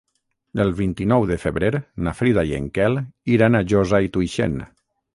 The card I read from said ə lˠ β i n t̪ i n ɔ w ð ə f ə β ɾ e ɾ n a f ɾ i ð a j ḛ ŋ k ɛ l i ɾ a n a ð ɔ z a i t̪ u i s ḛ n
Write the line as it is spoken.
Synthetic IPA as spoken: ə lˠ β i n t̪ i n ɔ w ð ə f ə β ɾ e ɾ n a f ɾ i ð a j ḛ ŋ k ɛ l i ɾ a n a ʒ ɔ z a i t̪ u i ʃ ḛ n